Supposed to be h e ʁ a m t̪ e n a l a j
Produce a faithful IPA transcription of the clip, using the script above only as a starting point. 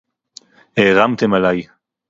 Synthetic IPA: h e ʁ a m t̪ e m a l a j